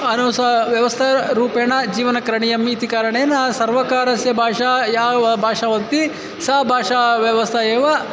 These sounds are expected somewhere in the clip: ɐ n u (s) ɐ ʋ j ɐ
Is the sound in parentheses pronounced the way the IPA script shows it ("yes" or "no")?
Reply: yes